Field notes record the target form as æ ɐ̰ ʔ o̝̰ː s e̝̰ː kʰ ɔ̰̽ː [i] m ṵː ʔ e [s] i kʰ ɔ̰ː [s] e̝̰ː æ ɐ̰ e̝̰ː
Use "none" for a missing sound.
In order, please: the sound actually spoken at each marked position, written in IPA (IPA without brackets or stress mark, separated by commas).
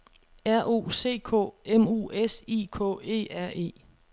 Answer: e, s, none